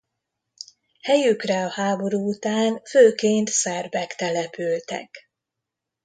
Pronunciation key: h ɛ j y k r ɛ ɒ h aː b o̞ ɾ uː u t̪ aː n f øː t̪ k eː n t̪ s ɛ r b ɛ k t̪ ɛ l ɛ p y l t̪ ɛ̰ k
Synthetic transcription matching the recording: h ɛ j y k r ɛ ɒ h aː b o̞ ɾ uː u t̪ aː n f øː k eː n t̪ s ɛ r b ɛ k t̪ ɛ l ɛ p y l t̪ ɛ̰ k